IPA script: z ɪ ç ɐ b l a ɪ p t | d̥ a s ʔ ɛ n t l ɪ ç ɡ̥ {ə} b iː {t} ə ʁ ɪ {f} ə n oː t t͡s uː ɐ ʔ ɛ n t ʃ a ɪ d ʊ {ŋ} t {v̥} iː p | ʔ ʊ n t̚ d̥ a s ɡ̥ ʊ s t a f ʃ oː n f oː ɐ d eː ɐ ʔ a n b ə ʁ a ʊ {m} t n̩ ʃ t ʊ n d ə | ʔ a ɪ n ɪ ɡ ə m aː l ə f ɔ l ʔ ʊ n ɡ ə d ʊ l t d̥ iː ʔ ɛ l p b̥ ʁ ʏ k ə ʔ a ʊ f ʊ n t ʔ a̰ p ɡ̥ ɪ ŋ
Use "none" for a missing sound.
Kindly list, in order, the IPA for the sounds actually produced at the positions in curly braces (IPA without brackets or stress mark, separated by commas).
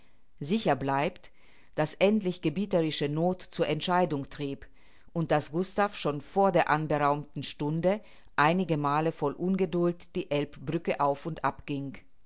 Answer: ə, t, ʃ, ŋ, ʁ̥, m